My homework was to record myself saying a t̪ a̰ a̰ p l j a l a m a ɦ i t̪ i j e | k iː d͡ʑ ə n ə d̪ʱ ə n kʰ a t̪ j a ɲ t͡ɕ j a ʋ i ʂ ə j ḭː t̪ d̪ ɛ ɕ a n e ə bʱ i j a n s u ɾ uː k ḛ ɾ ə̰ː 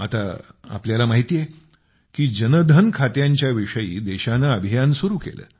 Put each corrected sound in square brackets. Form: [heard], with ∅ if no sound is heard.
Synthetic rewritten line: a t̪ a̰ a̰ p l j a l a m a ɦ i t̪ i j e | k iː d͡ʑ ə n ə d̪ʱ ə n kʰ a t̪ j a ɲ t͡ɕ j a ʋ i ʂ ə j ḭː [∅] d̪ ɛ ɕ a n [a] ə bʱ i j a n s u ɾ uː k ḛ [l] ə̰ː